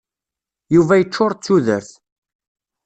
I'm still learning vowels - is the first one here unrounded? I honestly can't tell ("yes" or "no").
no